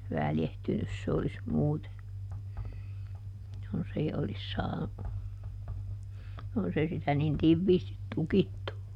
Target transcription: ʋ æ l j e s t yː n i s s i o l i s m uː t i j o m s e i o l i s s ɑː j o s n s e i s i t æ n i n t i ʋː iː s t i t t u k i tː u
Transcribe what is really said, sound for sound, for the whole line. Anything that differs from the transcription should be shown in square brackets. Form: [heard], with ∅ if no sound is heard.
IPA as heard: ʋ æ l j e [h] t [y] n [y] s s [e] o l i s m uː t [e] j o [n] s e i o l i s s ɑː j o [∅] n s e i s i t æ n i n t i ʋː iː s t i t t u k i tː u